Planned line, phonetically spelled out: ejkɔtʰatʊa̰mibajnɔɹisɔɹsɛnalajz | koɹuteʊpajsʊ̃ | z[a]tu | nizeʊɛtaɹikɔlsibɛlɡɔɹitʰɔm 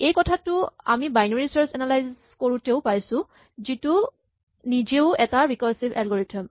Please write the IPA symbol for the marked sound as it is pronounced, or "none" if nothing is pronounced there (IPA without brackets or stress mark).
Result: i